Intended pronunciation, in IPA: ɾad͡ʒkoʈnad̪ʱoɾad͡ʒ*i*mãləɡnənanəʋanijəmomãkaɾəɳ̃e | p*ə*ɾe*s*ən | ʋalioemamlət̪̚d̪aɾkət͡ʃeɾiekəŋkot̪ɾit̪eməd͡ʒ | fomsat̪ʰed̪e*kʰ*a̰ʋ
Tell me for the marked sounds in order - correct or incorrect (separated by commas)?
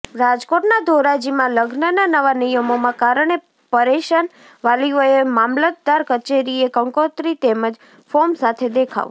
correct, correct, incorrect, correct